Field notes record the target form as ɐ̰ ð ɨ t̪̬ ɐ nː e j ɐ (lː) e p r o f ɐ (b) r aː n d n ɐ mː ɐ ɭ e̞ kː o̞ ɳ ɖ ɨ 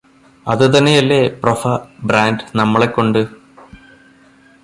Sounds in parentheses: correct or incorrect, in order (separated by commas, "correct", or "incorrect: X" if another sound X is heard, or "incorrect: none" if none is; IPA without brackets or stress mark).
correct, correct